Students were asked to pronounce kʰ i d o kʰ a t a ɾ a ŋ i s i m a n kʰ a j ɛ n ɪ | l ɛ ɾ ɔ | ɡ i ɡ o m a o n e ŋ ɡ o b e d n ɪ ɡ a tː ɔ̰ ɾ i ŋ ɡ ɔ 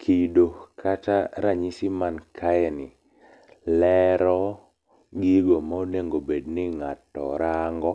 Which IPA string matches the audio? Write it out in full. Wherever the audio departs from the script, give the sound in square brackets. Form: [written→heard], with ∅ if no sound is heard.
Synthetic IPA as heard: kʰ i d o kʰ a t a ɾ a [ŋ→ɲ] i s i m a n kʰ a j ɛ n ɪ | l ɛ ɾ ɔ | ɡ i ɡ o m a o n e ŋ ɡ o b e d n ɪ [ɡ→ŋ] a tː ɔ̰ ɾ [i→a] ŋ ɡ ɔ